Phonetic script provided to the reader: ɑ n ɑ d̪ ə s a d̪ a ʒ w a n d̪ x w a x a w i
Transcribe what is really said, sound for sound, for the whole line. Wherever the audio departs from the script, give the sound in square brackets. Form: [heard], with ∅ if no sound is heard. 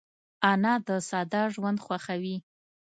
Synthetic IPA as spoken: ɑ n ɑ d̪ ə s [ɑ] d̪ [ɑ] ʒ w a n d̪ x w a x a w i